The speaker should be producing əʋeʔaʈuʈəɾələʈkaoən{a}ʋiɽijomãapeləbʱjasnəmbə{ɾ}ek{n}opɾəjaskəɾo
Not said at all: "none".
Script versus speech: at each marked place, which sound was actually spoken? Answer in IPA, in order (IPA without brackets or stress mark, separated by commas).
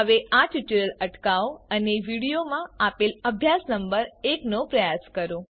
e, ɾ, n